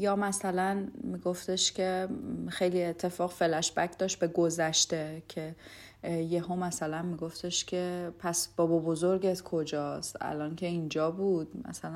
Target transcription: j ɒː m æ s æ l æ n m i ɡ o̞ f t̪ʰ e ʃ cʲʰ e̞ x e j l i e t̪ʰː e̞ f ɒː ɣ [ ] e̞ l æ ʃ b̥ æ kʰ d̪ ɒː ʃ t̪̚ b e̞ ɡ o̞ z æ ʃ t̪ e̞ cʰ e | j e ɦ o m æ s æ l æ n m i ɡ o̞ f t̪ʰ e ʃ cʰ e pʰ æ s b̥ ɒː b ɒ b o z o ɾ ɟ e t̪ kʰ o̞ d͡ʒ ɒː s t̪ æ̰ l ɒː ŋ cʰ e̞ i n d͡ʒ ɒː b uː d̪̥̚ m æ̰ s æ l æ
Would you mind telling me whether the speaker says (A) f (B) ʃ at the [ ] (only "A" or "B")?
A